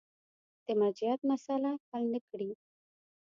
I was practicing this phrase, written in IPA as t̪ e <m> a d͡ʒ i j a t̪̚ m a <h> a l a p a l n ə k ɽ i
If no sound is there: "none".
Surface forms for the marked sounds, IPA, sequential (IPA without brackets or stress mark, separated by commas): m, s